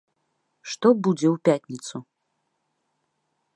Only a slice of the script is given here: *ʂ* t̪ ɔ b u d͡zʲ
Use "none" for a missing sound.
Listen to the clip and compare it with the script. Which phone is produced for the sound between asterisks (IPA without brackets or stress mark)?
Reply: ʂ